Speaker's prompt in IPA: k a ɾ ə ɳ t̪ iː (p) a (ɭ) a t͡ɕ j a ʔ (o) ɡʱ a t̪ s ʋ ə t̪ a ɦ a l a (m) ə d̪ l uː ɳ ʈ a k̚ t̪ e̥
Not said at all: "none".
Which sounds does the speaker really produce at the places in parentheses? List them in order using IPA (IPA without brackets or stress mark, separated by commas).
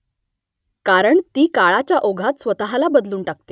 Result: k, ɭ, o, b